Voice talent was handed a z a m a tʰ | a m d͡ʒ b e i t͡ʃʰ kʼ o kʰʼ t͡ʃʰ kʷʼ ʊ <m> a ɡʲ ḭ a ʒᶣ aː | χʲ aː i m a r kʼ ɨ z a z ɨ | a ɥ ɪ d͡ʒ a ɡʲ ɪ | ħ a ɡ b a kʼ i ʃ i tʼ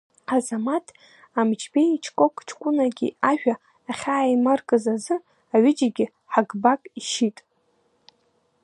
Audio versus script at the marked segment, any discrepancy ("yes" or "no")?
yes